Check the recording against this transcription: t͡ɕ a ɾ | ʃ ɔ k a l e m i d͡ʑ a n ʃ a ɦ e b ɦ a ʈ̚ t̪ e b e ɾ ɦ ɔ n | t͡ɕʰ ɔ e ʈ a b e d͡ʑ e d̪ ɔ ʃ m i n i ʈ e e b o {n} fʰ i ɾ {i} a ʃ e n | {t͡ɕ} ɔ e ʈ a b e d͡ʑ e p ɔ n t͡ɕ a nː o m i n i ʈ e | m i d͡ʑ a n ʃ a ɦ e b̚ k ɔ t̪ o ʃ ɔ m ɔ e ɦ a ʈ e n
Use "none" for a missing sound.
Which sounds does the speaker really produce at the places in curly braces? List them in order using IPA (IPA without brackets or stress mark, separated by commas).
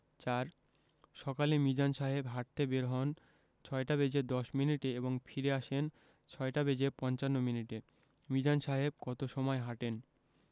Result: ŋ, e, t͡ɕʰ